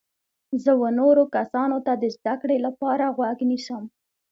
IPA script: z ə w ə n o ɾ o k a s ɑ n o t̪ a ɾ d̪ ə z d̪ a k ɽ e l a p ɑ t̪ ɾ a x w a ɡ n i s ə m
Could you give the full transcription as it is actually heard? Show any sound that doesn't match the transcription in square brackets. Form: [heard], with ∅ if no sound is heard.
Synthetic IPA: z ə w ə n o ɾ o k a s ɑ n o t̪ a [∅] d̪ ə z d̪ a k ɽ e l a p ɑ [∅] ɾ a [ɣ] w a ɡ n i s ə m